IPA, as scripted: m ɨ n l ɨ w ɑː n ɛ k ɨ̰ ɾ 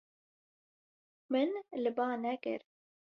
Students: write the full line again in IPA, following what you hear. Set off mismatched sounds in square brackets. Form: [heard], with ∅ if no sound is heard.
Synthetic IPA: m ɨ n l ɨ [b] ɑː n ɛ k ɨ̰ ɾ